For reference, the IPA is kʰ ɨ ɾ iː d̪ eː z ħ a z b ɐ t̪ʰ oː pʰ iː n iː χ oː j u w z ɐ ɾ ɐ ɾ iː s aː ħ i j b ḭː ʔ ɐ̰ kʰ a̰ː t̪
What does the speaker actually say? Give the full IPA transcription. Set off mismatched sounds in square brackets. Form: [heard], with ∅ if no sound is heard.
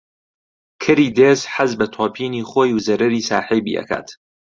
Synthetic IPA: kʰ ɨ ɾ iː d̪ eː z ħ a z b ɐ t̪ʰ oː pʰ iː n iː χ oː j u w z ɐ ɾ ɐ ɾ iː s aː ħ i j b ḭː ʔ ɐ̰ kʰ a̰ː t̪